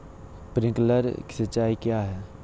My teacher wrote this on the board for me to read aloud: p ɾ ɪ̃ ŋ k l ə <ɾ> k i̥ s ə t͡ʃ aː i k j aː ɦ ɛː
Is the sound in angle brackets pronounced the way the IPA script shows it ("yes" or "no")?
yes